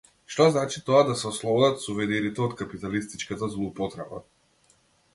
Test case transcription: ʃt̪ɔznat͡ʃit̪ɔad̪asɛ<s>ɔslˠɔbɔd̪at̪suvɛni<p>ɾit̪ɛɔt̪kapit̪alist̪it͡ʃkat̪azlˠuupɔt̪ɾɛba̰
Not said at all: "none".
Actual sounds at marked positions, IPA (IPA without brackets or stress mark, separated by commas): none, none